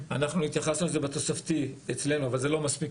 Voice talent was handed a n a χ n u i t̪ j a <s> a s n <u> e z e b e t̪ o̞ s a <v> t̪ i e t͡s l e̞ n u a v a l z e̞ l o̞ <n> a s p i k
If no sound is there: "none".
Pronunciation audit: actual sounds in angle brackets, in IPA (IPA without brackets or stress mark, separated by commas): χ, u, f, m